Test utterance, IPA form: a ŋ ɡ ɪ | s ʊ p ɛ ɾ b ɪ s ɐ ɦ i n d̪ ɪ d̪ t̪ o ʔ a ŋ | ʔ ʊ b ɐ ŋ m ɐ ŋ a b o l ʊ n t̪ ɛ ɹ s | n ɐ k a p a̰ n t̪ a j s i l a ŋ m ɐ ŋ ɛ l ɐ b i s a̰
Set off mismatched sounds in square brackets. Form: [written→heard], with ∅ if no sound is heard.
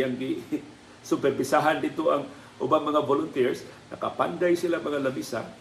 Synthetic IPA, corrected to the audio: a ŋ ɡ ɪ | s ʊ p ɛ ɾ b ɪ s [ɐ→a] ɦ [i→a] n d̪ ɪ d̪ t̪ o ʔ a ŋ | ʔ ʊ b [ɐ→a] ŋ m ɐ ŋ a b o l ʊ n t̪ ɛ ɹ s | n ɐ k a p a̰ n [t̪→d̪] a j s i l a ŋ m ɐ ŋ [ɛ→a] l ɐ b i s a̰